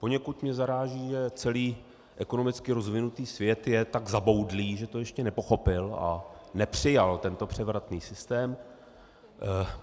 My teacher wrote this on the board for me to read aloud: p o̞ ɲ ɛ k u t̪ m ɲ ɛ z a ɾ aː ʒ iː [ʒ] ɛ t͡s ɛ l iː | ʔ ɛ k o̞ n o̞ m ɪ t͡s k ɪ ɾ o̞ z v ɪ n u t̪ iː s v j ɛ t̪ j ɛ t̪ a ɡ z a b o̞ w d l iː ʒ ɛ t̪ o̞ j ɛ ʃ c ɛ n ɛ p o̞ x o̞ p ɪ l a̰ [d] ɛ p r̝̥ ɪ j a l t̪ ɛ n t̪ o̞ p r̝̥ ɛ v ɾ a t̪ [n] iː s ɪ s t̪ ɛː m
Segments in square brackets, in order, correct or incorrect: correct, incorrect: n, correct

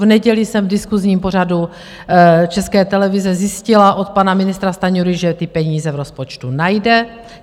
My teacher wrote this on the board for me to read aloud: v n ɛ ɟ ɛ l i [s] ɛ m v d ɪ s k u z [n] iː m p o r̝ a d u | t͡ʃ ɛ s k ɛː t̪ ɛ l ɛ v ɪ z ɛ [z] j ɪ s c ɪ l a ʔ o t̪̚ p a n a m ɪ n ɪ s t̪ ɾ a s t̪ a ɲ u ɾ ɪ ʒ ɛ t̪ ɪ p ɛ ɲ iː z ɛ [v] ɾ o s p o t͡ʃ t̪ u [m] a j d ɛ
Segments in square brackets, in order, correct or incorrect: correct, incorrect: ɲ, correct, correct, incorrect: n

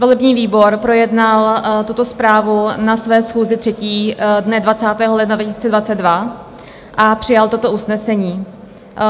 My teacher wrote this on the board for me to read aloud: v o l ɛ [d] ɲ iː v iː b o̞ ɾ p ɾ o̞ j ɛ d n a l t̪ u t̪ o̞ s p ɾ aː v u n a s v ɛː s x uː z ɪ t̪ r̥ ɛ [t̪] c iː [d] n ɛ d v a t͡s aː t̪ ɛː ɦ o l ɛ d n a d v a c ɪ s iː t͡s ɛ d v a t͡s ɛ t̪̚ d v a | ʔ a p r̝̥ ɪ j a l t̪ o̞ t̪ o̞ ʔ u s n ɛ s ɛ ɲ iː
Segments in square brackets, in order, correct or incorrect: incorrect: b, incorrect: none, correct

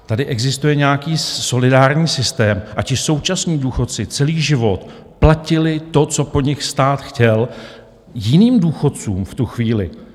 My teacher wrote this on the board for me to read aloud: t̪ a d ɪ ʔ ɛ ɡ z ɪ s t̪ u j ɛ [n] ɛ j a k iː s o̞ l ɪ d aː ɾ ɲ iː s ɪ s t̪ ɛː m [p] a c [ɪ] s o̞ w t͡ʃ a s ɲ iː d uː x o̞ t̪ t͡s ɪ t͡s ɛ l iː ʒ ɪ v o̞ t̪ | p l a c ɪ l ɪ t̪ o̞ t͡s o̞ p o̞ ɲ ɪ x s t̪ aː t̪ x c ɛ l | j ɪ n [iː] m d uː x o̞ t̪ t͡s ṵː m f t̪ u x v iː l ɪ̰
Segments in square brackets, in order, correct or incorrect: incorrect: ɲ, incorrect: ʔ, correct, correct

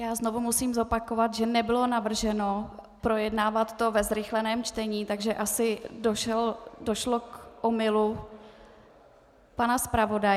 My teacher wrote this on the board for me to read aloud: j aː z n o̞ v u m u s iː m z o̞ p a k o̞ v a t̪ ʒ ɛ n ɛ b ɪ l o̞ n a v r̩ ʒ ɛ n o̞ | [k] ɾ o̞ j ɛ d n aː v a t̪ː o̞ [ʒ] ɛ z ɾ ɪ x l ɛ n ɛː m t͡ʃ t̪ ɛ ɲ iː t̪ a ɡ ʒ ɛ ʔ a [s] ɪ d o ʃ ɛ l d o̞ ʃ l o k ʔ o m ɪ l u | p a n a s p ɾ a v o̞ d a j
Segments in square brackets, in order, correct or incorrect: incorrect: p, incorrect: v, correct

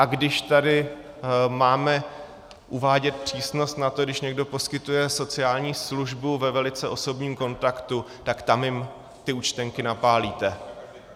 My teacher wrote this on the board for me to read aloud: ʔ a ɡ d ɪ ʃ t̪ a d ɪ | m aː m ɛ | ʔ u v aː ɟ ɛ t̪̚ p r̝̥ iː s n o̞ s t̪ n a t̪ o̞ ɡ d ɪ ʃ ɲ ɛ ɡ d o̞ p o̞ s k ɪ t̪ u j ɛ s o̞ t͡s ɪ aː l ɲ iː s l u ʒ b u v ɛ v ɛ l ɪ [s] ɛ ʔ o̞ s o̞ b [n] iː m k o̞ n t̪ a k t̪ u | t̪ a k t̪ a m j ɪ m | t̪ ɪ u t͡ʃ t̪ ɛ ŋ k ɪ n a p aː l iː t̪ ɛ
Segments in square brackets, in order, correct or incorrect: incorrect: t͡s, incorrect: ɲ

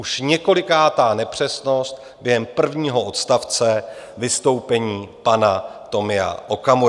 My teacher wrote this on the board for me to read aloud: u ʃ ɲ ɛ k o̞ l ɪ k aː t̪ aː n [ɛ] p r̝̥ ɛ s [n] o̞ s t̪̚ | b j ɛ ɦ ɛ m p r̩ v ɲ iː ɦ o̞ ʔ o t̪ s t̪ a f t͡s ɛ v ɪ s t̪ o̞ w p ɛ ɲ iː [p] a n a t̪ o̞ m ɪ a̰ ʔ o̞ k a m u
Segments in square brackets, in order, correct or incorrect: correct, correct, correct

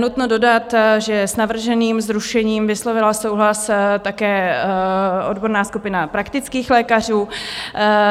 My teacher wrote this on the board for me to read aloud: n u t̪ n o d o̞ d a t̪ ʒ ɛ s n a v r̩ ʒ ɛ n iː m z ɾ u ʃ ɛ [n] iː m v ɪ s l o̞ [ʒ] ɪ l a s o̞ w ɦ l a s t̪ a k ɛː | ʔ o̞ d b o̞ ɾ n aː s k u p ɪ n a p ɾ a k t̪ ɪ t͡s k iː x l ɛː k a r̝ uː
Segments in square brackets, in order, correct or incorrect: incorrect: ɲ, incorrect: v

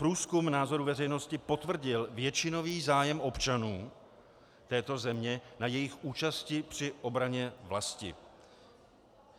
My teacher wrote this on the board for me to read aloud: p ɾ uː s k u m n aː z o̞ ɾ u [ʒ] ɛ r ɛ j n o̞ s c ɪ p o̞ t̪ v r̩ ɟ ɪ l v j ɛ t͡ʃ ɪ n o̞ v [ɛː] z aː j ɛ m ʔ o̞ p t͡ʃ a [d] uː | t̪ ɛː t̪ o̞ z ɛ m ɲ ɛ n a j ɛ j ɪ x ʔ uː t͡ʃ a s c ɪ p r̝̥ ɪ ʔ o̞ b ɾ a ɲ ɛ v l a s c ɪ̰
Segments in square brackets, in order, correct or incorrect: incorrect: v, incorrect: iː, incorrect: n

